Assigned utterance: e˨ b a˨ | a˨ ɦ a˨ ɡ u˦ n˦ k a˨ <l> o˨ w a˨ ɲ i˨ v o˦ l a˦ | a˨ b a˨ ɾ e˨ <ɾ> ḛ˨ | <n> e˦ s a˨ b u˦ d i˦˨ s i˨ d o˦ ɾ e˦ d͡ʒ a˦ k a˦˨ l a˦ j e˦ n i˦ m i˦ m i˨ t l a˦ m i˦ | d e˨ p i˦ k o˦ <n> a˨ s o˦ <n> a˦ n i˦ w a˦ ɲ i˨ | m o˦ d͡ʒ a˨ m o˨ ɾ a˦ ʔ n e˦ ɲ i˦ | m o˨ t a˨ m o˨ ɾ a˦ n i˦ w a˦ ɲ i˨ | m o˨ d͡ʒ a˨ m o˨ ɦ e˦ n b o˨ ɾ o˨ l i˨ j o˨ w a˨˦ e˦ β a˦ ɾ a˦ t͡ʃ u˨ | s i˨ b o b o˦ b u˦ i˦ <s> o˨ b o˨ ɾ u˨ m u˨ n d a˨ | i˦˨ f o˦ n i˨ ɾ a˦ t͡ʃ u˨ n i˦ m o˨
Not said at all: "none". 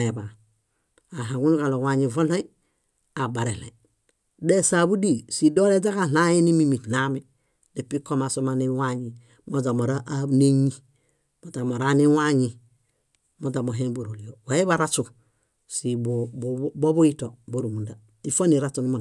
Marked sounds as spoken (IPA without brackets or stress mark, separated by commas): l, l, d, m, m, t